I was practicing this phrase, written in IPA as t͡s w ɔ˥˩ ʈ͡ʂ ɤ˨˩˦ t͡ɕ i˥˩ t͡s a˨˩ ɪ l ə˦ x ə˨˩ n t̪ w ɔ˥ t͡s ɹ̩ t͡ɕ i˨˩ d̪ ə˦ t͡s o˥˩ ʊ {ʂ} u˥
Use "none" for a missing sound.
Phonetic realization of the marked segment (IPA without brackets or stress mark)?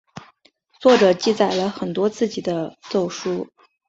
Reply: ʂ